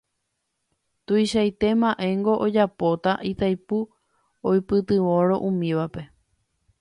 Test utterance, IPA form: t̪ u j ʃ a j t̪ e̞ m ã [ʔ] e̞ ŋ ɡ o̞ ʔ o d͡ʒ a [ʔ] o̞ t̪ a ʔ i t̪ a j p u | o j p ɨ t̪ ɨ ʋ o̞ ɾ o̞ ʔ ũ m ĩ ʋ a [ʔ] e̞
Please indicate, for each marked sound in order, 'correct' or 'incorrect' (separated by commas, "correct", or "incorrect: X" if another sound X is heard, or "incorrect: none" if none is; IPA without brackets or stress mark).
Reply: correct, incorrect: p, incorrect: p